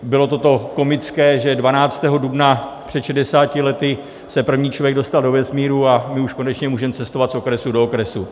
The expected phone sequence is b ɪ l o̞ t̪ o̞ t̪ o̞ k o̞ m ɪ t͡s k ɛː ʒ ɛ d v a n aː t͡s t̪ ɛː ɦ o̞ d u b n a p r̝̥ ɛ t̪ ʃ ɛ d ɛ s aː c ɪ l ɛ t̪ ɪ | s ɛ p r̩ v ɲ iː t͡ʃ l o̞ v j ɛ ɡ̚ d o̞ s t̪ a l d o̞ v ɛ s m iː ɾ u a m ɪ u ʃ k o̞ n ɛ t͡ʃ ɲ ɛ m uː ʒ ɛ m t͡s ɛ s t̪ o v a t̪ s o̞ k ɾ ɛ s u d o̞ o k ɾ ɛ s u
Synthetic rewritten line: b ɪ l o̞ t̪ o̞ t̪ o̞ k o̞ m ɪ t͡s k ɛː ʒ ɛ d v a n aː t͡s t̪ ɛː ɦ o̞ d u b n a p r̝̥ ɛ t̪ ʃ ɛ d ɛ s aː c ɪ l ɛ t̪ ɪ | s ɛ p r̩ v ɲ iː t͡ʃ l o̞ v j ɛ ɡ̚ d o̞ s t̪ a l d o̞ v ɛ s m iː ɾ u a m ɪ u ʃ k o̞ n ɛ t͡ʃ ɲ ɛ m uː ʒ ɛ m t͡s ɛ s t̪ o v a t̪ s o̞ k ɾ ɛ s u d o̞ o k ɾ ɛ s u

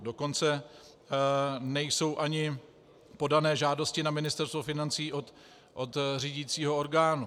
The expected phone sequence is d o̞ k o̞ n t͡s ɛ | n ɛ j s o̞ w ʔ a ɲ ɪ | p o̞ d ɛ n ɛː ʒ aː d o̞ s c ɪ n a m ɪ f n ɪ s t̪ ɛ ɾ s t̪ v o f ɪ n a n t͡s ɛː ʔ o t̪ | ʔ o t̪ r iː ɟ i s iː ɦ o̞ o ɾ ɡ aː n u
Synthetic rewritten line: d o̞ k o̞ n t͡s ɛ | n ɛ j s o̞ w ʔ a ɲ ɪ | p o̞ d a n ɛː ʒ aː d o̞ s c ɪ n a m ɪ n ɪ s t̪ ɛ ɾ s t̪ v o f ɪ n a n t͡s iː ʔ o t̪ | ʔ o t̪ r iː ɟ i t͡s iː ɦ o̞ o ɾ ɡ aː n u

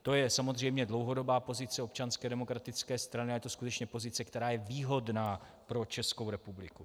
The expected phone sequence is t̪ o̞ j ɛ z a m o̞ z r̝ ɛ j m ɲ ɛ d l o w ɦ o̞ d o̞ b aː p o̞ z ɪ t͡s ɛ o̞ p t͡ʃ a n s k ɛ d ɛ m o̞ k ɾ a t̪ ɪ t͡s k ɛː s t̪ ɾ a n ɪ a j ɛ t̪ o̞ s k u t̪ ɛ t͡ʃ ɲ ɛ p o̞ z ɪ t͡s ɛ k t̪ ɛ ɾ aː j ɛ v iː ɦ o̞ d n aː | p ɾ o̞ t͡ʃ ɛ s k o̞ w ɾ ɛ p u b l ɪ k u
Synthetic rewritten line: t̪ o̞ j ɛ s a m o̞ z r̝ ɛ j m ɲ ɛ d l o w ɦ o̞ d o̞ b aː p o̞ z ɪ t͡s ɛ o̞ p t͡ʃ a n s k ɛ d ɛ m o̞ k ɾ a t̪ ɪ t͡s k ɛː s t̪ ɾ a n ɪ a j ɛ t̪ o̞ s k u t̪ ɛ t͡ʃ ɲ ɛ p o̞ z ɪ t͡s ɛ k t̪ ɛ ɾ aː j ɛ v iː ɦ o̞ d n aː | p ɾ o̞ t͡ʃ ɛ s k o̞ w ɾ ɛ p u b l ɪ k u

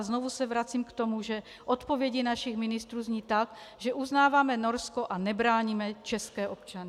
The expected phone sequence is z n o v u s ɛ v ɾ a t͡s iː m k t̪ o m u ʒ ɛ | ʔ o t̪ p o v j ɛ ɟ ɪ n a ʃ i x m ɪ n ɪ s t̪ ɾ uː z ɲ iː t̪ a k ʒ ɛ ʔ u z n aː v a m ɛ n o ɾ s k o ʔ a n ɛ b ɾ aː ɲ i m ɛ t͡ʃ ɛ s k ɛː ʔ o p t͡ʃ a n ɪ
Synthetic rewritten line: z n o v u s ɛ v ɾ a t͡s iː m k t̪ o m u ʒ ɛ | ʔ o t̪ p o v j ɛ ɟ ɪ n a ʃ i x m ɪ n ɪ s t̪ ɾ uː z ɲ iː t̪ a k ʒ ɛ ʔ u z n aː v a m ɛ n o ɾ s k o ʔ a n ɛ b ɾ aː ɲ i m ɛ t͡ʃ ɛ s k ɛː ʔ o p t͡ʃ a n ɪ

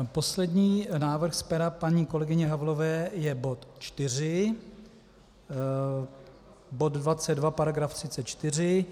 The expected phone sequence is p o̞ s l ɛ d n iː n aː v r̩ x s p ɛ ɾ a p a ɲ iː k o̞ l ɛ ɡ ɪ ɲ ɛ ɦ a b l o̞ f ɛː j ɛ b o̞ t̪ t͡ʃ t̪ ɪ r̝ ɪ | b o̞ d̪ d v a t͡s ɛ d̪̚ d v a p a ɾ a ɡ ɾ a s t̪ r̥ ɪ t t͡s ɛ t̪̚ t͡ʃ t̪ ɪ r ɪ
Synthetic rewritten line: p o̞ s l ɛ d ɲ iː n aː v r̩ x s p ɛ ɾ a p a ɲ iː k o̞ l ɛ ɡ ɪ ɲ ɛ ɦ a v l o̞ v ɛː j ɛ b o̞ t̪ t͡ʃ t̪ ɪ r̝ ɪ | b o̞ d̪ d v a t͡s ɛ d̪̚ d v a p a ɾ a ɡ ɾ a f t̪ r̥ ɪ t t͡s ɛ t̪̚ t͡ʃ t̪ ɪ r ɪ

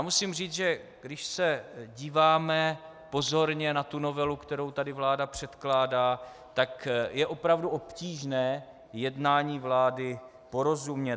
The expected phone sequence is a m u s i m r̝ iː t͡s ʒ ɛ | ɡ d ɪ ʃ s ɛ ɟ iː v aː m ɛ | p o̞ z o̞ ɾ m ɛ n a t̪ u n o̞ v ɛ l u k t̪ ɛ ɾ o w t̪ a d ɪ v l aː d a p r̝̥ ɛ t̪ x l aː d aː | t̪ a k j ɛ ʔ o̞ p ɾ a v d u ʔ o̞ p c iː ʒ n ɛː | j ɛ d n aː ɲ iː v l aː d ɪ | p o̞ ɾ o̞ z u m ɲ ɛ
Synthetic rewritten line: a m u s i m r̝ iː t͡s ʒ ɛ | ɡ d ɪ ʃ s ɛ ɟ iː v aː m ɛ | p o̞ z o̞ ɾ ɲ ɛ n a t̪ u n o̞ v ɛ l u k t̪ ɛ ɾ o w t̪ a d ɪ v l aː d a p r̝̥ ɛ t̪ k l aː d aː | t̪ a k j ɛ ʔ o̞ p ɾ a v d u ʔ o̞ p c iː ʒ n ɛː | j ɛ d n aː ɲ iː v l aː d ɪ | p o̞ ɾ o̞ z u m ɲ ɛ

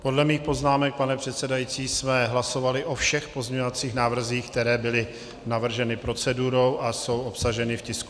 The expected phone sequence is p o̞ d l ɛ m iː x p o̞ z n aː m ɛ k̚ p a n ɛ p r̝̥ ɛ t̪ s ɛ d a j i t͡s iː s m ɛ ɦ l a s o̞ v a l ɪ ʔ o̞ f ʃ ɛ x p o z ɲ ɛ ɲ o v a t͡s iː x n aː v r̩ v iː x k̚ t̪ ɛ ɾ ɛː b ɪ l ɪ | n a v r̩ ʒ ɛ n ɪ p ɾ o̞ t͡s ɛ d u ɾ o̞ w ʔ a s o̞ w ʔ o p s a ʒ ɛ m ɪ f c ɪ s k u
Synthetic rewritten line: p o̞ d l ɛ m iː x p o̞ z n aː m ɛ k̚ p a n ɛ p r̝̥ ɛ t̪ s ɛ d a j i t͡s iː s m ɛ ɦ l a s o̞ v a l ɪ ʔ o̞ f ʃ ɛ x p o z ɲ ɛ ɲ o v a t͡s iː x n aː v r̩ z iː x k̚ t̪ ɛ ɾ ɛː b ɪ l ɪ | n a v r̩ ʒ ɛ n ɪ p ɾ o̞ t͡s ɛ d u ɾ o̞ w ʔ a s o̞ w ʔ o p s a ʒ ɛ n ɪ f c ɪ s k u

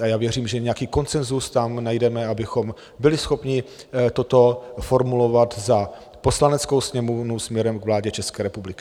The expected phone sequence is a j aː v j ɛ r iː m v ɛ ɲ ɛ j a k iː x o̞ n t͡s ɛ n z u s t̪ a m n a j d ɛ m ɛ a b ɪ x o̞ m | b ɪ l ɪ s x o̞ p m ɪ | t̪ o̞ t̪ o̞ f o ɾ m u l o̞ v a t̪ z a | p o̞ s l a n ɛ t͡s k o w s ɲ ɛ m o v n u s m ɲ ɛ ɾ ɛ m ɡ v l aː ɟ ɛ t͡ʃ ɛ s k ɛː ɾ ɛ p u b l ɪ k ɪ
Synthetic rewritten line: a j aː v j ɛ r iː m ʒ ɛ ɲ ɛ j a k iː k o̞ n t͡s ɛ n z u s t̪ a m n a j d ɛ m ɛ a b ɪ x o̞ m | b ɪ l ɪ s x o̞ p ɲ ɪ | t̪ o̞ t̪ o̞ f o ɾ m u l o̞ v a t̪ z a | p o̞ s l a n ɛ t͡s k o w s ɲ ɛ m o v n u s m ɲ ɛ ɾ ɛ m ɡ v l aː ɟ ɛ t͡ʃ ɛ s k ɛː ɾ ɛ p u b l ɪ k ɪ

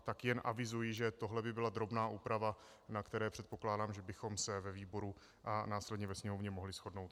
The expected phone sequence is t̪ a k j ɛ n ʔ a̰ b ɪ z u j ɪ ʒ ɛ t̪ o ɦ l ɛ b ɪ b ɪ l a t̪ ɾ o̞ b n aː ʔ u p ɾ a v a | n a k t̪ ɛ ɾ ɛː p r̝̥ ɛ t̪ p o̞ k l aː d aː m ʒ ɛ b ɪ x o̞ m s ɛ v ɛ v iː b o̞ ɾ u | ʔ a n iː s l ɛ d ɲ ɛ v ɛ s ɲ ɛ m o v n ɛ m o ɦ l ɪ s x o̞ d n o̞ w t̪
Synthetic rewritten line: t̪ a k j ɛ n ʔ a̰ v ɪ z u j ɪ ʒ ɛ t̪ o ɦ l ɛ b ɪ b ɪ l a d̪ ɾ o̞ b n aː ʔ uː p ɾ a v a | n a k t̪ ɛ ɾ ɛː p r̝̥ ɛ t̪ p o̞ k l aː d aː m ʒ ɛ b ɪ x o̞ m s ɛ v ɛ v iː b o̞ ɾ u | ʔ a n aː s l ɛ d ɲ ɛ v ɛ s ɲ ɛ m o v ɲ ɛ m o ɦ l ɪ s x o̞ d n o̞ w t̪

